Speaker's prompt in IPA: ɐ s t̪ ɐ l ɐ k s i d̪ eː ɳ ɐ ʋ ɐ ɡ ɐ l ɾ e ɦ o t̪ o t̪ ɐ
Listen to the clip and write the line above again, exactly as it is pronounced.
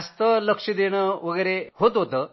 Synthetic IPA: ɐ s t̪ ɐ l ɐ k ʂ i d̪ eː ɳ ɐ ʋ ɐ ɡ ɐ ɾ e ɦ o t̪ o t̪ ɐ